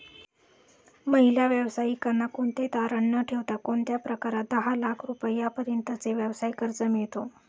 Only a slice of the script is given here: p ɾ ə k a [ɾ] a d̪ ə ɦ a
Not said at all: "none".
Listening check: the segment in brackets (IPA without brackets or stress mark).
ɾ